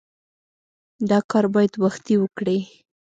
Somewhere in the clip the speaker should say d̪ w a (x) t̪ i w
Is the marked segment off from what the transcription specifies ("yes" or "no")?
no